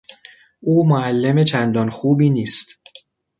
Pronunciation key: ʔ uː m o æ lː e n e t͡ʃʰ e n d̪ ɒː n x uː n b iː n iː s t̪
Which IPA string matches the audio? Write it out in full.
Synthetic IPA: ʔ uː m o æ lː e m e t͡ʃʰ æ n d̪ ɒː n x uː b iː n iː s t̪